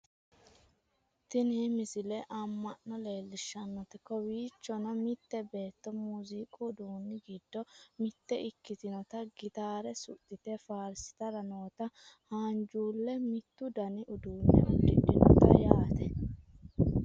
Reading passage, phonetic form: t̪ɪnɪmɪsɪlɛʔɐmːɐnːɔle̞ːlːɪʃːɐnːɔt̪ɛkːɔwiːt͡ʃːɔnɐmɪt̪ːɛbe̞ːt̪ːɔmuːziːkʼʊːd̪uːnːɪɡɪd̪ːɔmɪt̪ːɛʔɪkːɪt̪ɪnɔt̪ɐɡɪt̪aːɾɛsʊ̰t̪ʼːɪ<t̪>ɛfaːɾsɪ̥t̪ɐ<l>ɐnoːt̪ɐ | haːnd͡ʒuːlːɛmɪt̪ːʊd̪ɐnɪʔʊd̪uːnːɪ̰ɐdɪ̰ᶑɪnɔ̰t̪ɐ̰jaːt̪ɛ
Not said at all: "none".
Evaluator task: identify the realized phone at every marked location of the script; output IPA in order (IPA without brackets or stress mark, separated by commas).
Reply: t̪, ɾ